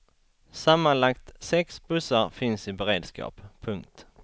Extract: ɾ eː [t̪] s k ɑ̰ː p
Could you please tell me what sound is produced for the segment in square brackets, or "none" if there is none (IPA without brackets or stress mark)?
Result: d̪